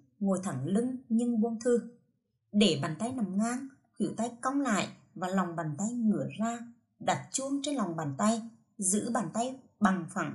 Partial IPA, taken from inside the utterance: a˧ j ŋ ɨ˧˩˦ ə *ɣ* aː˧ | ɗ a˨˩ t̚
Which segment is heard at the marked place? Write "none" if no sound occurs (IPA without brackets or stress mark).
z